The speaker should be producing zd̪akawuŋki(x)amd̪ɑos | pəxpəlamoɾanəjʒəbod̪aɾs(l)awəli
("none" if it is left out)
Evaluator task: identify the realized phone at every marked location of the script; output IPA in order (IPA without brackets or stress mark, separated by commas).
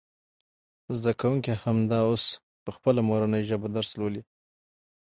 h, l